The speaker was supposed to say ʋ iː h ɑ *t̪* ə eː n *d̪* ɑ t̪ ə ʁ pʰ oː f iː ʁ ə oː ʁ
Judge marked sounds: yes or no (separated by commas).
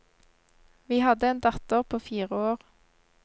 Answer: no, yes